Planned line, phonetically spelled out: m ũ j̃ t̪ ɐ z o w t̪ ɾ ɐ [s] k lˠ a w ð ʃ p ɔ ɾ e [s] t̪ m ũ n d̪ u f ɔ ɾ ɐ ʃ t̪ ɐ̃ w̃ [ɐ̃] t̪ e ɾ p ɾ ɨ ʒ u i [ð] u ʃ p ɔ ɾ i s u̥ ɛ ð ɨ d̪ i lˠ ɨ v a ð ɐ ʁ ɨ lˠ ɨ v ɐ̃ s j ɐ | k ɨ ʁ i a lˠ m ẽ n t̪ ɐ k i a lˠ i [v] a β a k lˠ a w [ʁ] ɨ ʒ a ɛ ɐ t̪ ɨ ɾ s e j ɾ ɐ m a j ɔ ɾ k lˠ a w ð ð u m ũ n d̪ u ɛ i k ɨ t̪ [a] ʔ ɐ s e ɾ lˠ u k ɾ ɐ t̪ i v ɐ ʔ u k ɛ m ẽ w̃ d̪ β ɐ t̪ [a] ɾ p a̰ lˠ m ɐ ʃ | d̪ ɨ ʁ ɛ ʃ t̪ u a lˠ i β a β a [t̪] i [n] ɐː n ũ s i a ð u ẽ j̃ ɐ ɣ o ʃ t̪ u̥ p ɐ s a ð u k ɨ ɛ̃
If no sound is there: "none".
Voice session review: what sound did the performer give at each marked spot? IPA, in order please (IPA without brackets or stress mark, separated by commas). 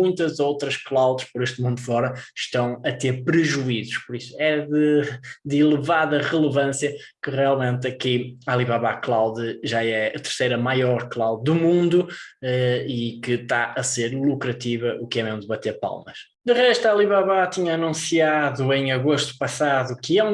ʃ, ʃ, ɐ, z, β, ð, a, e, t̪, ɲ